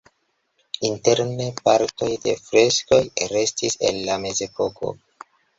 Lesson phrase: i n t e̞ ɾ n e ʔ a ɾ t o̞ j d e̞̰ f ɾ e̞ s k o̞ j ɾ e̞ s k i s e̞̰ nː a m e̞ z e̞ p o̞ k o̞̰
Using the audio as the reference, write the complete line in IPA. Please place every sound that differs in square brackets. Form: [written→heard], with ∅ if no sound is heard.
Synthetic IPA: i n t e̞ ɾ n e [ʔ→p] a ɾ t o̞ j d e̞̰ f ɾ e̞ s k o̞ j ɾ e̞ s [k→t] i s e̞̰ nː a m e̞ z e̞ p o̞ k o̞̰